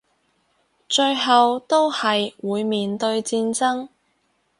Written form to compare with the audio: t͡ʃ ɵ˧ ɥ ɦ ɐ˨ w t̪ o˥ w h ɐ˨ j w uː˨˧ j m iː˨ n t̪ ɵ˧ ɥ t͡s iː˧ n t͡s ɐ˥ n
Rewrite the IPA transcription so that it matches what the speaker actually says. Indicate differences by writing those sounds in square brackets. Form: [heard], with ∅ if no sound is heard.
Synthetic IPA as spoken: t͡ʃ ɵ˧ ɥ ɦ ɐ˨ w t̪ o˥ w h ɐ˨ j w uː˨˧ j m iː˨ n t̪ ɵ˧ ɥ t͡s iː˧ n t͡s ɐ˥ [ŋ]